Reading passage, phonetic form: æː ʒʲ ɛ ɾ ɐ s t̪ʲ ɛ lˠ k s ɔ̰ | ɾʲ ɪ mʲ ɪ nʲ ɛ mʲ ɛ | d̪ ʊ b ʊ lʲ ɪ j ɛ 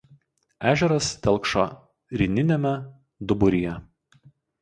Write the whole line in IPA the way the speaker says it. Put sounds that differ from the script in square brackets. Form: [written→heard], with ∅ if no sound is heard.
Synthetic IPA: æː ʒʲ ɛ ɾ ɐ s t̪ʲ ɛ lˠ k [s→ʃ] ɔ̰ | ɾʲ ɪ [mʲ→nʲ] ɪ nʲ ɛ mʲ ɛ | d̪ ʊ b ʊ [lʲ→ɾʲ] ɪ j ɛ